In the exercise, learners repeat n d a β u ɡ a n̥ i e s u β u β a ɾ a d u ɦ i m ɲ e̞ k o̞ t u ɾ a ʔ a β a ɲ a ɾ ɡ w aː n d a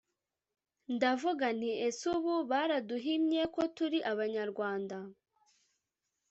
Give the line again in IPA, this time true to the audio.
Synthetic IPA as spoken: n d a v u ɡ a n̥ i e s u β u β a ɾ a d u ɦ i m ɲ e̞ k o̞ t u ɾ i ʔ a β a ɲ a ɾ ɡ w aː n d a